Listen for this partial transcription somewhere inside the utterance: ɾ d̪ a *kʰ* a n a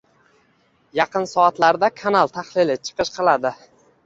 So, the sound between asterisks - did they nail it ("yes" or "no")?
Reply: yes